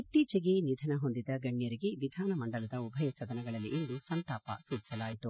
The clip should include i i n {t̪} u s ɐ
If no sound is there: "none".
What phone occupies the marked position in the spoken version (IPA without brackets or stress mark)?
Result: d̪